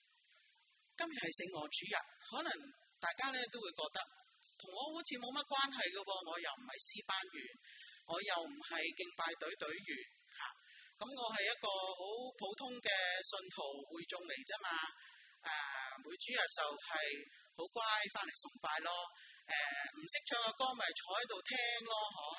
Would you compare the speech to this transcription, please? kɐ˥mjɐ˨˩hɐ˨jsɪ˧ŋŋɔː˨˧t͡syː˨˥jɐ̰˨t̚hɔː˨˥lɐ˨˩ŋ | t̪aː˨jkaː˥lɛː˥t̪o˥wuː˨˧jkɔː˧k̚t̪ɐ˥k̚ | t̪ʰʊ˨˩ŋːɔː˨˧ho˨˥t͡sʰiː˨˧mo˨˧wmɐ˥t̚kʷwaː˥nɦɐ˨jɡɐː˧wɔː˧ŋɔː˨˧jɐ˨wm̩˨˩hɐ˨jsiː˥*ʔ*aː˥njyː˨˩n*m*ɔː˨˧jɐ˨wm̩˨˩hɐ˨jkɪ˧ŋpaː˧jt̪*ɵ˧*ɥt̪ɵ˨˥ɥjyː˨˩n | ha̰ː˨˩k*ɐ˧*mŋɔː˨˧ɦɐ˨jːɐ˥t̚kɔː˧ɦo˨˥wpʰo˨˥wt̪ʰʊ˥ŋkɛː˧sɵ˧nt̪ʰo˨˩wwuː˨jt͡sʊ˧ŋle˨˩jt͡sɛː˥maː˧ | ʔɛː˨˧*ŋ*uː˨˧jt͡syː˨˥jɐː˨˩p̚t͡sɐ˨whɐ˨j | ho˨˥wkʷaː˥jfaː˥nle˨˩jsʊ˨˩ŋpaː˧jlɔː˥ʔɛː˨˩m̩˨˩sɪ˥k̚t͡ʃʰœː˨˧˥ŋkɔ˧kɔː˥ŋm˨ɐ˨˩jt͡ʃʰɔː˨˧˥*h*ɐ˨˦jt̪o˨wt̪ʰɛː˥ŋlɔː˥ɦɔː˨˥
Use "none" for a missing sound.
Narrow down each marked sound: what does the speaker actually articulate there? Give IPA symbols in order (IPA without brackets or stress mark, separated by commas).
p, ŋ, ɵ˨˥, ɐ˨˥, m, h